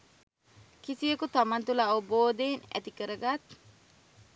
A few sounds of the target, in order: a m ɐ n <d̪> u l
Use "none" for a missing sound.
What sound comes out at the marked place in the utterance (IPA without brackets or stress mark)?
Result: t̪